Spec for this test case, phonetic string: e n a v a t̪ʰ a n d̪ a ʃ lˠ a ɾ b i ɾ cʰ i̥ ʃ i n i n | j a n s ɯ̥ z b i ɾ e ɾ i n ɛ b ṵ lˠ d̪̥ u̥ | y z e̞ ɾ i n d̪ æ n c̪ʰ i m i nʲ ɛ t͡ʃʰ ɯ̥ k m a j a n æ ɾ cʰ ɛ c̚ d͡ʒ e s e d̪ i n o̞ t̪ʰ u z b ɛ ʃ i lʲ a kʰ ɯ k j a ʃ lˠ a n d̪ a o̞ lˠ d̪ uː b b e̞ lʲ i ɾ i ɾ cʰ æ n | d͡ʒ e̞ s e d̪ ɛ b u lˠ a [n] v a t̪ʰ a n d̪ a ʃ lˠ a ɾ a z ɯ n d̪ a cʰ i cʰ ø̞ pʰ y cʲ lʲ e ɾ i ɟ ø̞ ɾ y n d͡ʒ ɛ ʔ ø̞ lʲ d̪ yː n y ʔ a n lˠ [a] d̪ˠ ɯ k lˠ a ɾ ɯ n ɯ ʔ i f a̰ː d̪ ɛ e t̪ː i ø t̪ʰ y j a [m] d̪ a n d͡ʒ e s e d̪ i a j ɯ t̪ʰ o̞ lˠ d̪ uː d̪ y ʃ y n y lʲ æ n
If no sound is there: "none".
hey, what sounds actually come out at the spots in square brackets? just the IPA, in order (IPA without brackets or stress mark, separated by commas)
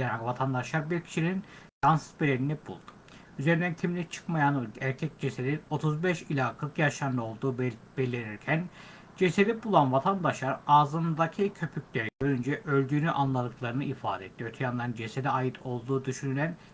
n, a, n